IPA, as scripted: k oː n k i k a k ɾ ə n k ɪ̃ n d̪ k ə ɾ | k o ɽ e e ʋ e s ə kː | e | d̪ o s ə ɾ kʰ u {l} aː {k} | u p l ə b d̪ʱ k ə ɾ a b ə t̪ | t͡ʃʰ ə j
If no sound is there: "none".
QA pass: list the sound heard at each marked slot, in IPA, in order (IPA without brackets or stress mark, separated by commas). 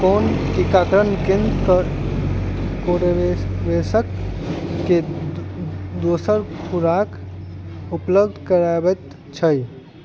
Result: ɾ, k